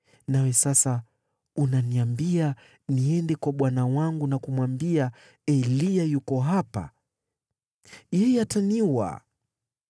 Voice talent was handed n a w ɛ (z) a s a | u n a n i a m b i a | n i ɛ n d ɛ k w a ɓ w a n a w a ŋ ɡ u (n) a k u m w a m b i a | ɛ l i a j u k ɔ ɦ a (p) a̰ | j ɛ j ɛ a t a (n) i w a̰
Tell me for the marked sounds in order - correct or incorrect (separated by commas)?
incorrect, correct, correct, correct